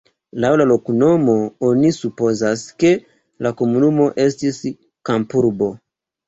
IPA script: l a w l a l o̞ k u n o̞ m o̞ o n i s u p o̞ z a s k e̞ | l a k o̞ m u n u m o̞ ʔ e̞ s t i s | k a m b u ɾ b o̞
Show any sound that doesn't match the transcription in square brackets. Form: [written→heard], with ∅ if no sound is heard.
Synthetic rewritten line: l a w l a l o̞ k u n o̞ m o̞ o n i s u p o̞ z a s k e̞ | l a k o̞ m u n u m o̞ ʔ e̞ s t i s | k a m [b→p] u ɾ b o̞